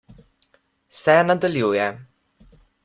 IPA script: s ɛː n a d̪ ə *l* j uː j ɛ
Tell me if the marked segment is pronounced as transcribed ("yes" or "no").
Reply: yes